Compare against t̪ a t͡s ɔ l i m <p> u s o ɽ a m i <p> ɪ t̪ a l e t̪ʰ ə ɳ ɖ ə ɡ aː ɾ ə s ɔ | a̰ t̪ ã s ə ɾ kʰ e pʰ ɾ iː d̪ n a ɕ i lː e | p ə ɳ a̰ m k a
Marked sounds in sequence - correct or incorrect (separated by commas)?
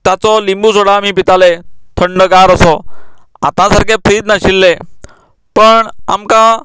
incorrect, correct